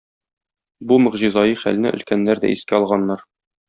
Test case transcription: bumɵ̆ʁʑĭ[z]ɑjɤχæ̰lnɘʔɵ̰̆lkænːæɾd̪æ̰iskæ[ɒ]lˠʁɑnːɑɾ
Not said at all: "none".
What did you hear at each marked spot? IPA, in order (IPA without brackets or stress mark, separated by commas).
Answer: z, ɒ